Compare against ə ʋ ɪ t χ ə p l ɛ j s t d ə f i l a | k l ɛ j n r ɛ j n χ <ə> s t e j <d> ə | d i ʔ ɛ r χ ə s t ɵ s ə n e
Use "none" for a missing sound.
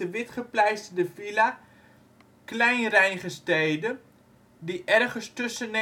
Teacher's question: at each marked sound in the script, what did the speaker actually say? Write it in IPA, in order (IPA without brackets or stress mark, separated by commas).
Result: ə, d